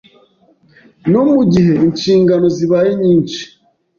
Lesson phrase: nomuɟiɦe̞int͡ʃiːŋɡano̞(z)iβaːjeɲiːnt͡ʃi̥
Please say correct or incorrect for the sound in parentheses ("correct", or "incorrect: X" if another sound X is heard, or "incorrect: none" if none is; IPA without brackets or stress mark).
correct